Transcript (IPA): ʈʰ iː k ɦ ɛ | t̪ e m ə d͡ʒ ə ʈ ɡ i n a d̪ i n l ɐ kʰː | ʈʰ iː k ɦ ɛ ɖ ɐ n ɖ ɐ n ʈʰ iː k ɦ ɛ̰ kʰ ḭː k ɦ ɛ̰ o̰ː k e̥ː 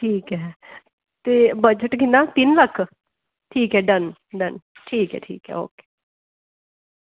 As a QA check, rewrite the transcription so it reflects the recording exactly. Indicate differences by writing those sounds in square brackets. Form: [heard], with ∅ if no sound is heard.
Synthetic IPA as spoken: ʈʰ iː k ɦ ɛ | t̪ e [b] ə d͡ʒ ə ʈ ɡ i n a [t̪] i n l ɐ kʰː | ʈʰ iː k ɦ ɛ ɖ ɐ n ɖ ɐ n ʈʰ iː k ɦ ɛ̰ [ʈʰ] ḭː k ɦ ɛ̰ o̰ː k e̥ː